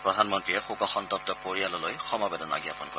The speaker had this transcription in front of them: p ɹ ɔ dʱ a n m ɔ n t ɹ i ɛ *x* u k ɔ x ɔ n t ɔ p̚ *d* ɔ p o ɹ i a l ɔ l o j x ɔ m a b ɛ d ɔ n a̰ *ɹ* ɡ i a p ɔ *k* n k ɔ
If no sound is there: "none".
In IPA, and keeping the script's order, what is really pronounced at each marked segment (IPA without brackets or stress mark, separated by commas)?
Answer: x, t, none, none